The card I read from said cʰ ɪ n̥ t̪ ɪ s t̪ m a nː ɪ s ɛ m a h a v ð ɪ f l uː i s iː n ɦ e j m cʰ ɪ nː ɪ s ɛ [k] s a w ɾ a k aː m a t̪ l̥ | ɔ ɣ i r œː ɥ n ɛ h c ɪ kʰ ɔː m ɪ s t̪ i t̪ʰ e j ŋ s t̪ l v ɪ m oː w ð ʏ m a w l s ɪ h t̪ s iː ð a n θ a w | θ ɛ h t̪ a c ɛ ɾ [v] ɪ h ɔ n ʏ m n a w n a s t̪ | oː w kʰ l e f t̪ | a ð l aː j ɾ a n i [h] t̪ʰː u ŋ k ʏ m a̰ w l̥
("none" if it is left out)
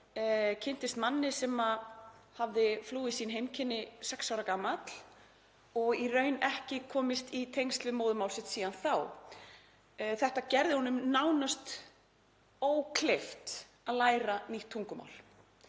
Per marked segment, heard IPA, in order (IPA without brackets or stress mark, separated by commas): k, ð, h